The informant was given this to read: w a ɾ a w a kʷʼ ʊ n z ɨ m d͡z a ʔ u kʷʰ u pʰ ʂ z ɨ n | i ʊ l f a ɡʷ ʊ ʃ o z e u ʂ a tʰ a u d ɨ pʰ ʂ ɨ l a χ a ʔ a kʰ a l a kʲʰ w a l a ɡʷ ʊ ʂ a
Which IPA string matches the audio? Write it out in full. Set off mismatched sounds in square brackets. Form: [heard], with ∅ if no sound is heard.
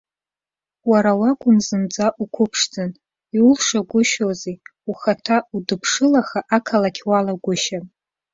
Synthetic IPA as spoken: w a ɾ a w a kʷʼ ʊ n z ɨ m d͡z a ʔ u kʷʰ [ʊ] pʰ ʂ [d͡z] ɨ n | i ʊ l [ʂ] a ɡʷ ʊ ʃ o z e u [χ] a tʰ a u d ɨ pʰ ʂ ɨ l a χ a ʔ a kʰ a l a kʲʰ w a l a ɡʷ ʊ [ʃ] a

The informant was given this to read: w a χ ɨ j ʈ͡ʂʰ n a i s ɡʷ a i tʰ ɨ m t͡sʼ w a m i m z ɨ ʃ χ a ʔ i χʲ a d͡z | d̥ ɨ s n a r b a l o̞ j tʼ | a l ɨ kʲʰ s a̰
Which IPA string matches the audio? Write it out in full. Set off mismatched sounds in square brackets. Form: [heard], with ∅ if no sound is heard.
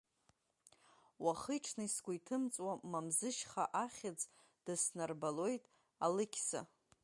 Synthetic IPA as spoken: w a χ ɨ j ʈ͡ʂʰ n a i s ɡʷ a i tʰ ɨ m t͡sʼ w a m [a] m z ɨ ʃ χ a ʔ [a] χʲ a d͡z | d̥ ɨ s n a r b a l o̞ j tʼ | a l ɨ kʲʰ s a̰

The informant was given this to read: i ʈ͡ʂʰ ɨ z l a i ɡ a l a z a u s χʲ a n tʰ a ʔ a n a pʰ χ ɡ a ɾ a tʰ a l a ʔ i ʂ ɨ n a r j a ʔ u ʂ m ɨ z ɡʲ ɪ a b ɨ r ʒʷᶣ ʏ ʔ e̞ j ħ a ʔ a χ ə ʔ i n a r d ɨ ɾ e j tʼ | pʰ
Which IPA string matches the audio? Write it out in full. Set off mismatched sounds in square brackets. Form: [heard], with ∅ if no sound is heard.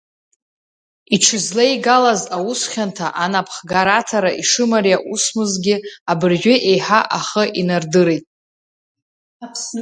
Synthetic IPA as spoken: i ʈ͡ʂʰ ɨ z l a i ɡ a l a z a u s χʲ a n tʰ a ʔ a n a pʰ χ ɡ a ɾ a tʰ a [ɾ] a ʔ i ʂ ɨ [m] a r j a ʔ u [s] m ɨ z ɡʲ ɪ a b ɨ r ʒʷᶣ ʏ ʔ e̞ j ħ a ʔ a χ ə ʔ i n a r d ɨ ɾ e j tʼ | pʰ

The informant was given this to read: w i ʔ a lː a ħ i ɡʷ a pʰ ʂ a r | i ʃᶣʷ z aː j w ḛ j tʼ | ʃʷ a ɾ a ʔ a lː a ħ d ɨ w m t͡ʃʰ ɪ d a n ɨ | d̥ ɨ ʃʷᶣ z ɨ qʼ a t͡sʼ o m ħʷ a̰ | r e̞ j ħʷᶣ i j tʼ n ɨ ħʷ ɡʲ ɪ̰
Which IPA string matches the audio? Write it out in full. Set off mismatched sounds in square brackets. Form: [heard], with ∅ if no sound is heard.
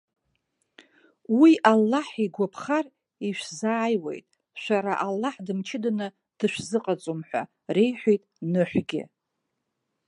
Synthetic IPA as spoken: w i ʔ a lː a ħ i ɡʷ a pʰ [χ] a r | i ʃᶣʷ z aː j w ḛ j tʼ | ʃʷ a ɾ a ʔ a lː a ħ d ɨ [∅] m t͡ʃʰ ɪ d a n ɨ | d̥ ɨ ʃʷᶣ z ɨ qʼ a t͡sʼ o m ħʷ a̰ | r e̞ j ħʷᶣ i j tʼ n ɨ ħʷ ɡʲ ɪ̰

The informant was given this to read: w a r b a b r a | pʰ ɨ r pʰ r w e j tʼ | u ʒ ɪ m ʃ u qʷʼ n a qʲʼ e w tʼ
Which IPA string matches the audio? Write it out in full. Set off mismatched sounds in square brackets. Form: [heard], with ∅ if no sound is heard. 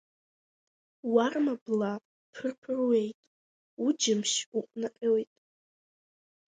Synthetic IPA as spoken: w a r [m] a b [l] a | pʰ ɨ r pʰ r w e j tʼ | u [d͡ʒ] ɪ m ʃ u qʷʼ n a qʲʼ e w tʼ

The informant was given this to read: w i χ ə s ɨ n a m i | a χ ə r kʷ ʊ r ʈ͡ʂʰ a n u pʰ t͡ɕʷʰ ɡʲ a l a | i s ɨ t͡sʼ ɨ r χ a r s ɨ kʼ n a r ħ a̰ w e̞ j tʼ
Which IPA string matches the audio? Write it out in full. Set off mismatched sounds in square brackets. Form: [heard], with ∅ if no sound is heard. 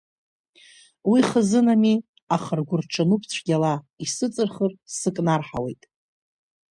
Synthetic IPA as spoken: w i χ ə [z] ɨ n a m i | a χ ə r [ɡʷ] ʊ r ʈ͡ʂʰ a n u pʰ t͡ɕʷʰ ɡʲ a l a | i s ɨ t͡sʼ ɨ r χ [ə] r s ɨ kʼ n a r ħ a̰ w e̞ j tʼ

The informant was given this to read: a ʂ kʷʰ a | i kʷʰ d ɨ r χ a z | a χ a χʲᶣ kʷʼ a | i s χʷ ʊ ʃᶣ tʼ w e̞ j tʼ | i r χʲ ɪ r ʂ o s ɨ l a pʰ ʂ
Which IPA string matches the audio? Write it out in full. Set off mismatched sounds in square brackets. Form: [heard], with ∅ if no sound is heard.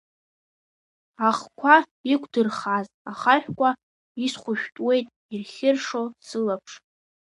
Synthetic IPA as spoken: a [χ] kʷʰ a | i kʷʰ d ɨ r χ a z | a χ a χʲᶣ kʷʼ a | i s χʷ ʊ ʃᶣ tʼ w e̞ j tʼ | i r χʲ ɪ r ʂ o s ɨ l a pʰ ʂ

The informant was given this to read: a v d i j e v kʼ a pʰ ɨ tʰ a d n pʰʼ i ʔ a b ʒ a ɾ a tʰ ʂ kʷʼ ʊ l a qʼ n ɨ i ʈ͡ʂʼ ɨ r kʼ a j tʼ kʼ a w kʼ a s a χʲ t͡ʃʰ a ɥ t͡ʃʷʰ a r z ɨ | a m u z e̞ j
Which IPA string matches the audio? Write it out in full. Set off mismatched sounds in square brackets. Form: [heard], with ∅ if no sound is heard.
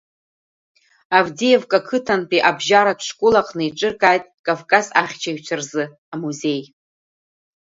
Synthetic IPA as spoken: a v d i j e v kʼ a [kʰ] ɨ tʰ a [∅] n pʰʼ i ʔ a b ʒ a ɾ a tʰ ʂ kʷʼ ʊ l a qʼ n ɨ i ʈ͡ʂʼ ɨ r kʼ a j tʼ kʼ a [v] kʼ a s a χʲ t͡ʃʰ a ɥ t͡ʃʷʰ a r z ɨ | a m u z e̞ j

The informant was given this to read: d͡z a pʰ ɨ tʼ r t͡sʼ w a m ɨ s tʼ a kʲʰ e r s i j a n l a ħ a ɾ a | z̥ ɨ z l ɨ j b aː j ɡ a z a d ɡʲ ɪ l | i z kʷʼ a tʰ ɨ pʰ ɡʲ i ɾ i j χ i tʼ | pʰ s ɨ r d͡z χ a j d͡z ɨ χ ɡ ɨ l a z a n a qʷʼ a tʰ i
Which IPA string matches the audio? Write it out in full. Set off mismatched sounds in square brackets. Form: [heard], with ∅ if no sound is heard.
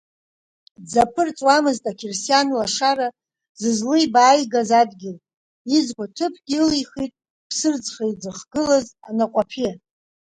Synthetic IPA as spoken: d͡z a pʰ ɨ [∅] r t͡sʼ w a m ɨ [z] tʼ a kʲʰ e r s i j a n l a [ʂ] a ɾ a | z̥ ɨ z l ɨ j b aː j ɡ a z a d ɡʲ ɪ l | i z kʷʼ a tʰ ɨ pʰ ɡʲ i [l] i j χ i tʼ | pʰ s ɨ r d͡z χ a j d͡z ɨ χ ɡ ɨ l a z a n a qʷʼ a [pʰ] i

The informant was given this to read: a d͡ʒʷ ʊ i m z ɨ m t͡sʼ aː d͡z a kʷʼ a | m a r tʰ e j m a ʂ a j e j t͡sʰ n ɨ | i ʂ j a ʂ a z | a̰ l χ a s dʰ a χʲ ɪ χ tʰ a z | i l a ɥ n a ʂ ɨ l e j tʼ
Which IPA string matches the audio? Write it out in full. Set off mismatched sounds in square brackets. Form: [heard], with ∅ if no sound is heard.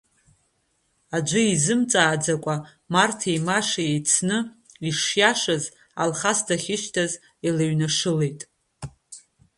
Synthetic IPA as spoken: a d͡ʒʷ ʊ i [∅] z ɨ m t͡sʼ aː d͡z a kʷʼ a | m a r tʰ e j m a ʂ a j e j t͡sʰ n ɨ | i ʂ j a ʂ a z | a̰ l χ a s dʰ a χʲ ɪ [ʃ] tʰ a z | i l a ɥ n a ʂ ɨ l e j tʼ

